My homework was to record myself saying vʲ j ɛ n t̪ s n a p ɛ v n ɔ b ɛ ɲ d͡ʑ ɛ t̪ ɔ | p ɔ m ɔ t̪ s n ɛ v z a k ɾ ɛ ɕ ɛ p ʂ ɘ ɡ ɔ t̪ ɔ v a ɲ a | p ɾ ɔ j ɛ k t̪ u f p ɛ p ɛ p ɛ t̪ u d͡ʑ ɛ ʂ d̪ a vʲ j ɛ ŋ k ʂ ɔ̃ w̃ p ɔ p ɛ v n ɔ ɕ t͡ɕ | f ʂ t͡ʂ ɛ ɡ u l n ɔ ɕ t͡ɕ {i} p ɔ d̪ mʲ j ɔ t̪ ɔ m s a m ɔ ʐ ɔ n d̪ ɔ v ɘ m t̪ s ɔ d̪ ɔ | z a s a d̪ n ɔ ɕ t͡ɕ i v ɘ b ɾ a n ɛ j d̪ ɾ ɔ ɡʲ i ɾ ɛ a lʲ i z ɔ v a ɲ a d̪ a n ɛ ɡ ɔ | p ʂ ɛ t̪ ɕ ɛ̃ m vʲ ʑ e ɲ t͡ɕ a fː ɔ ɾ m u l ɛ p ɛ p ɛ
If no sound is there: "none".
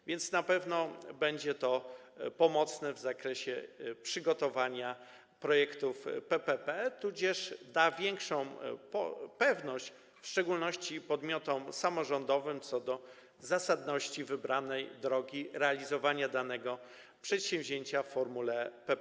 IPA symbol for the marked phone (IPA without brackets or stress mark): i